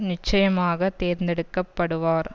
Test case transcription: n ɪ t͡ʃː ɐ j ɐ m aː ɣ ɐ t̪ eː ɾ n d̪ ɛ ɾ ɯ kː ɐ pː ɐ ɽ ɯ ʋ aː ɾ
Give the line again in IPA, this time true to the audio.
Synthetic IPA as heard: n ɪ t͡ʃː ɐ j ɐ m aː ɣ ɐ t̪ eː ɾ n d̪ ɛ ɽ ɯ kː ɐ pː ɐ ɽ ɯ ʋ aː ɾ